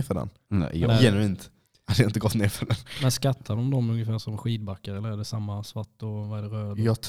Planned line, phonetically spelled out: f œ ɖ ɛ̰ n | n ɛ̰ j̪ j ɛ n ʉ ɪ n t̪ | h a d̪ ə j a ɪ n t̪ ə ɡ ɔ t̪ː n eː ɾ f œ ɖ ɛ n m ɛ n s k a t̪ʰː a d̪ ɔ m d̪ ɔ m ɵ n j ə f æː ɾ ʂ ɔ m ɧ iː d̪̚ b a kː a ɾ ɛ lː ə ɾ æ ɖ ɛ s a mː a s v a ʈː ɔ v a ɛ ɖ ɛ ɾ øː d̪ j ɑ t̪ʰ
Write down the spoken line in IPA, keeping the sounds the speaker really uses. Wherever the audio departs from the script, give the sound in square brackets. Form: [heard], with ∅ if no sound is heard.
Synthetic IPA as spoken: f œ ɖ ɛ̰ n | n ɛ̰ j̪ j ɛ n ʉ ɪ n t̪ | h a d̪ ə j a ɪ n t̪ ə ɡ ɔ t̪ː n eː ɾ f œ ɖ ɛ n m ɛ n s k a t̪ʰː a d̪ ɔ m d̪ ɔ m ɵ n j ə f æː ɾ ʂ ɔ m ɧ iː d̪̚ b a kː a ɾ ɛ lː ə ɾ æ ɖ ɛ s a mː a s v a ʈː ɔ v a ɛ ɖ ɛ ɾ øː d̪ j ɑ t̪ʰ